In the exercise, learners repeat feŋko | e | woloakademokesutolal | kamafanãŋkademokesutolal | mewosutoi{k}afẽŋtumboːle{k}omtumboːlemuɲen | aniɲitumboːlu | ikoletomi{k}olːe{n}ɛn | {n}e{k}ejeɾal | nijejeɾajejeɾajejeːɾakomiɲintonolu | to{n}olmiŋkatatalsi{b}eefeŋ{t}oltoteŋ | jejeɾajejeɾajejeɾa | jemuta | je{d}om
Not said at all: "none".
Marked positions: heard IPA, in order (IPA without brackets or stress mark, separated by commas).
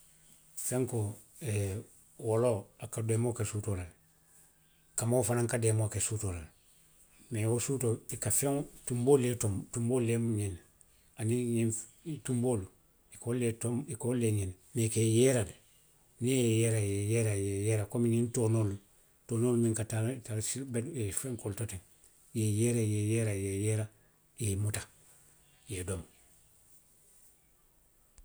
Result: k, t, k, ɲ, n, k, n, b, k, d